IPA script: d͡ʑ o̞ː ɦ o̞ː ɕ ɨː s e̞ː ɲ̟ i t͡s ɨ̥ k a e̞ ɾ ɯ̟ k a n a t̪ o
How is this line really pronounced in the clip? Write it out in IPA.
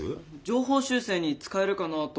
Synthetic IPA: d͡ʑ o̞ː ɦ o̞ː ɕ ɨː s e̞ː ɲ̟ i t͡s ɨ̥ k a e̞ ɾ ɯ̟ k a n a t̪ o